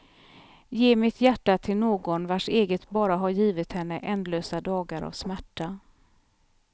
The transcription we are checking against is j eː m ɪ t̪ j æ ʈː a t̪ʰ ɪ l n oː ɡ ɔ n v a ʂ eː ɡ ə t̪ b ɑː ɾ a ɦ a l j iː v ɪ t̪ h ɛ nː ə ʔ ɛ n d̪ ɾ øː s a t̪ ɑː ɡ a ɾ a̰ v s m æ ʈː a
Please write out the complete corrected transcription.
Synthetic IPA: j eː m ɪ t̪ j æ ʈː a t̪ʰ ɪ l n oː ɡ ɔ n v a ʂ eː ɡ ə t̪ b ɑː ɾ a ɦ a ɾ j iː v ɪ t̪ h ɛ nː ə ʔ ɛ n d̪ l øː s a d̪ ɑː ɡ a ɾ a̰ v s m æ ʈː a